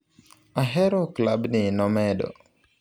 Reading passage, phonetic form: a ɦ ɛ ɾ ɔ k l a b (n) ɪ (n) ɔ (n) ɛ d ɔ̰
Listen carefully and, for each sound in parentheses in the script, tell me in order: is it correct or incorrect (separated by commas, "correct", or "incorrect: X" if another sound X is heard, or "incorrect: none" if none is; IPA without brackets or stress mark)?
correct, correct, incorrect: m